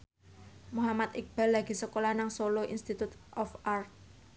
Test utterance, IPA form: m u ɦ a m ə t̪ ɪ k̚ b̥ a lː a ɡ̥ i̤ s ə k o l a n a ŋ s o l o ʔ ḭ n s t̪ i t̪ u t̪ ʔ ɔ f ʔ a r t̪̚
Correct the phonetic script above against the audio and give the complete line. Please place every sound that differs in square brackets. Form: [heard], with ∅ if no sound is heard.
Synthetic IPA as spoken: m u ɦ a m [a] t̪ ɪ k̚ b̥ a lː a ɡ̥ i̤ s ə k o l a n a ŋ s o l o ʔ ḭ n s t̪ i t̪ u t̪ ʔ ɔ f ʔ a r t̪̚